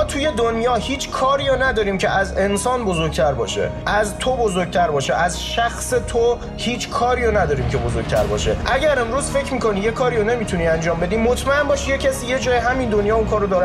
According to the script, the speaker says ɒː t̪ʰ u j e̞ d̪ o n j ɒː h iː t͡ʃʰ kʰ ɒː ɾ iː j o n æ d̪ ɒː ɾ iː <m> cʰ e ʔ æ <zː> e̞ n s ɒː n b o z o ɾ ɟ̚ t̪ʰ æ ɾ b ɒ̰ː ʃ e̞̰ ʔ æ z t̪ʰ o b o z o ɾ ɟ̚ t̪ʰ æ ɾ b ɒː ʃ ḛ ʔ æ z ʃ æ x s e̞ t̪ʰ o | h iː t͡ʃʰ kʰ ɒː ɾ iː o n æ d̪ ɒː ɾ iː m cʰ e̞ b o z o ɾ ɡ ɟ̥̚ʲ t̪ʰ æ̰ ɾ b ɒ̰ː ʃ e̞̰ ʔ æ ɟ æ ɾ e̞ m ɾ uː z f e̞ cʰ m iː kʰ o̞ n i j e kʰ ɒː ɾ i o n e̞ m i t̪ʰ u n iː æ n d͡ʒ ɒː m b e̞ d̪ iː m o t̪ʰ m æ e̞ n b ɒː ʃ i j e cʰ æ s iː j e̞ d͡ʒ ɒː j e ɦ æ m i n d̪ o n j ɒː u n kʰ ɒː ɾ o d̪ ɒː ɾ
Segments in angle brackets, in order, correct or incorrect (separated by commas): correct, incorrect